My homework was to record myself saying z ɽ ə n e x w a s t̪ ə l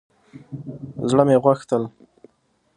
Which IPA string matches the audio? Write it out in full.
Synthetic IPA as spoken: z ɽ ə m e ɣ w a x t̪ ə l